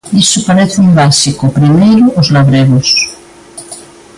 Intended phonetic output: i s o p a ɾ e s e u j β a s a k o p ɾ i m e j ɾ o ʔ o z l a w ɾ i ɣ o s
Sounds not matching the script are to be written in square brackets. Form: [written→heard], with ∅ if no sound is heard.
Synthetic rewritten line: i s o p a ɾ e [s→θ] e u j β a s [a→i] k o p ɾ i m e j ɾ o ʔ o z l a [w→β] ɾ [i→e] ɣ o s